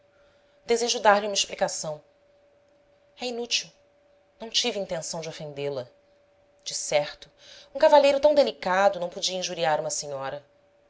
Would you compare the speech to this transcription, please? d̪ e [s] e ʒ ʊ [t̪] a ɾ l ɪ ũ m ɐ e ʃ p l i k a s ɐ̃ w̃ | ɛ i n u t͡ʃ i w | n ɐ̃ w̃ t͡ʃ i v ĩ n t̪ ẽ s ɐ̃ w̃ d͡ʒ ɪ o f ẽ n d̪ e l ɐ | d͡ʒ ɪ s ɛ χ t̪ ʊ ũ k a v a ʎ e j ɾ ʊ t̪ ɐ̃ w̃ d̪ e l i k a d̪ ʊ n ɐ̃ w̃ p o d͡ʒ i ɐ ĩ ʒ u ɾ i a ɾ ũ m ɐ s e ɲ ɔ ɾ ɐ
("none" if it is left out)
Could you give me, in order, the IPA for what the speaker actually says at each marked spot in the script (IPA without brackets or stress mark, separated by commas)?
z, d̪